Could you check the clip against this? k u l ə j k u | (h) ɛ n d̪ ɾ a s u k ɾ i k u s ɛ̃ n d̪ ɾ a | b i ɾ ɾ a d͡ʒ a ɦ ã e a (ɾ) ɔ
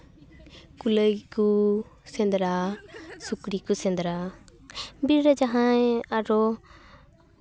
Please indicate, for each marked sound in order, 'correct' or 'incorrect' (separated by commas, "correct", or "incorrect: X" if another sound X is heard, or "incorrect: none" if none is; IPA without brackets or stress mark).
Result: incorrect: s, correct